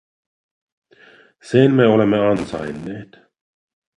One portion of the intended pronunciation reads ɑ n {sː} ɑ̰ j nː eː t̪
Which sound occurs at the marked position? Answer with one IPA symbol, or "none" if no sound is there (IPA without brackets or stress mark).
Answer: s